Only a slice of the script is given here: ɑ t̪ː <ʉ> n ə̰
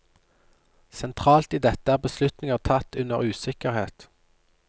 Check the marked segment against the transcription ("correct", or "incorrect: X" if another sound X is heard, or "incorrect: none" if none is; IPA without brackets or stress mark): correct